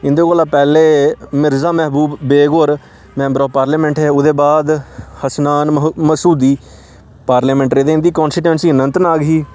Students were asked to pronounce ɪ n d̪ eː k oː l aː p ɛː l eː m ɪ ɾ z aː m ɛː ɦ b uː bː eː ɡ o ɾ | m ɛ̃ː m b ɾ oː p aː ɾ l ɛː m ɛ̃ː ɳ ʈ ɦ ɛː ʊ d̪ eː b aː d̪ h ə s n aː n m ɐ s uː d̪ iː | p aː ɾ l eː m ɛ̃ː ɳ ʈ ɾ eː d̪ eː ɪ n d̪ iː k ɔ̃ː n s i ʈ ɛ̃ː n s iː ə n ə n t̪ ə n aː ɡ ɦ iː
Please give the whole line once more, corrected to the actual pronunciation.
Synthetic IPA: ɪ n d̪ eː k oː l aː p ɛː l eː m ɪ ɾ z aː m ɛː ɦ b uː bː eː ɡ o ɾ | m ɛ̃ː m b ɾ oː p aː ɾ l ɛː m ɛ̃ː ɳ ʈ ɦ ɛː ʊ d̪ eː b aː d̪ h ə s n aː n m ə s uː d̪ iː | p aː ɾ l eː m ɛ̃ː ɳ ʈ ɾ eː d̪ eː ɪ n d̪ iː k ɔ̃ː n s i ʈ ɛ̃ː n s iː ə n ə n t̪ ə n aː ɡ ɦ iː